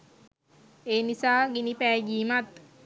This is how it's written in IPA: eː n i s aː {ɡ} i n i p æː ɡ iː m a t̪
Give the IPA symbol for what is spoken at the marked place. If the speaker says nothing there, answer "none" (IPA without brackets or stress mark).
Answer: ɡ